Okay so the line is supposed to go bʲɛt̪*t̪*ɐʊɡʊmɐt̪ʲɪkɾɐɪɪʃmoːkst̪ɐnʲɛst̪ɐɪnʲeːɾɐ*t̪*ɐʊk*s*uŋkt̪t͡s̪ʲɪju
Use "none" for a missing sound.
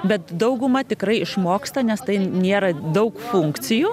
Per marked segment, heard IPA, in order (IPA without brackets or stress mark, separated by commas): d̪, d̪, f